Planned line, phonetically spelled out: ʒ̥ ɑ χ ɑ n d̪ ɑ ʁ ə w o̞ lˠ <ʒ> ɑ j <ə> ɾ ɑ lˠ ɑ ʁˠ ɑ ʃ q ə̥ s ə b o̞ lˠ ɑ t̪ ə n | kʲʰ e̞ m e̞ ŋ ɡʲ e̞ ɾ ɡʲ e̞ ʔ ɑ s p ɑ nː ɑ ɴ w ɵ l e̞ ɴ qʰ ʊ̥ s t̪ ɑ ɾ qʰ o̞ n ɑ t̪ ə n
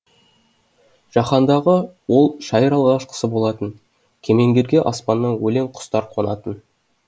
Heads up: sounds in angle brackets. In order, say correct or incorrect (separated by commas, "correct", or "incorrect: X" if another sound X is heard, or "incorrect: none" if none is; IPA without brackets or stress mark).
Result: incorrect: ʃ, correct